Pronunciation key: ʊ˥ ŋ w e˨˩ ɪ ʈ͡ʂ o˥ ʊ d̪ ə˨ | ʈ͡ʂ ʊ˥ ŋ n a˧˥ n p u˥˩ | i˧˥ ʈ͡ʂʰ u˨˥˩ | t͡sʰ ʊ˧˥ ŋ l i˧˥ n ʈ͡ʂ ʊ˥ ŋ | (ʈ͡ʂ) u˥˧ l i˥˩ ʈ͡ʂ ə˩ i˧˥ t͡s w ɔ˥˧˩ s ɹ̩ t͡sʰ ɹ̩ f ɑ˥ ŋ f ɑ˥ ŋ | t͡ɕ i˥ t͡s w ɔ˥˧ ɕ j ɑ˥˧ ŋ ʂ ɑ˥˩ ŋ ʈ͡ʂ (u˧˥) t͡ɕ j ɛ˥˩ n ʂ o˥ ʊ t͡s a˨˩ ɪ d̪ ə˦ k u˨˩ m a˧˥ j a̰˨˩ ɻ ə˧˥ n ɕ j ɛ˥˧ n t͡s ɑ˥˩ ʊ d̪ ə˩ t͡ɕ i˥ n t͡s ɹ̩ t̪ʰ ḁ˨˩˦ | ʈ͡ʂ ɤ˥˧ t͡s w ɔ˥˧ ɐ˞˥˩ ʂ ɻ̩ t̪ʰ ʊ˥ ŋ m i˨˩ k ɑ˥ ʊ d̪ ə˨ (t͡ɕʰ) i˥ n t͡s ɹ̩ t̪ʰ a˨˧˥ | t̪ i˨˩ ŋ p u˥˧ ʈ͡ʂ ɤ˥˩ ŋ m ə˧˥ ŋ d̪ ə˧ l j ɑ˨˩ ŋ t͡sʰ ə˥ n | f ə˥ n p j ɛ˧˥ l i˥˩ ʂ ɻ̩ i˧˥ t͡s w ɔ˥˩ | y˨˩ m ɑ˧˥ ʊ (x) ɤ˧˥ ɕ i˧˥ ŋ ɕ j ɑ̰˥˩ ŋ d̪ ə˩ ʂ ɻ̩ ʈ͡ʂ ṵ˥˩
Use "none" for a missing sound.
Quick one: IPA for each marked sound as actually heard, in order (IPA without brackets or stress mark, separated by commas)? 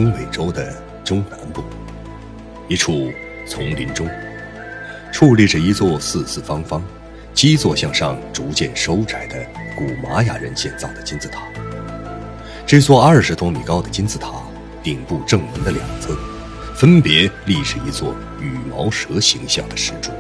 ʈ͡ʂʰ, u˧˥, t͡ɕ, ʂ